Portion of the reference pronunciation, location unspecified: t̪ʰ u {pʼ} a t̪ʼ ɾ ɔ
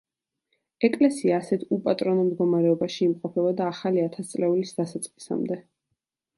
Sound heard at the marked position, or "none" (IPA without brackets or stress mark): pʼ